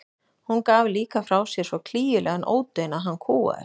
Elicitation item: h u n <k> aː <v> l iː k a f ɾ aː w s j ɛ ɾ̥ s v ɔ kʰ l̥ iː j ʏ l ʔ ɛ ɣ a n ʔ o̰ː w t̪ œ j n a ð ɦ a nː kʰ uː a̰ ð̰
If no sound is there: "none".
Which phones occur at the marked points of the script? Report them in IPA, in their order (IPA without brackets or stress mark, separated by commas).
k, v